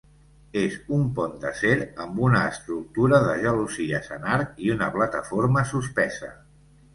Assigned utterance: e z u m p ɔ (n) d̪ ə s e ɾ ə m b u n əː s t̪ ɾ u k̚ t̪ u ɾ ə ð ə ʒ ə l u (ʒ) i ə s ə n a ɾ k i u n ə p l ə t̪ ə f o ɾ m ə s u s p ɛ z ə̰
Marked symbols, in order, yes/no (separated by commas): yes, no